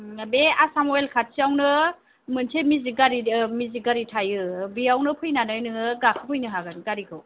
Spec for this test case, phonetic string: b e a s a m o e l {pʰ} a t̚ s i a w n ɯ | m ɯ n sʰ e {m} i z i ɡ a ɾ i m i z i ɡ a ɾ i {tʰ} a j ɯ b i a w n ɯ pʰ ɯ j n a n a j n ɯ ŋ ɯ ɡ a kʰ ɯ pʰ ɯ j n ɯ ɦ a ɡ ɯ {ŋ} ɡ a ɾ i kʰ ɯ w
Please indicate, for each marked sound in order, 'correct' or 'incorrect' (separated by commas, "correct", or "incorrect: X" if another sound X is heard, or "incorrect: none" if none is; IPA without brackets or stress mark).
incorrect: kʰ, correct, correct, incorrect: n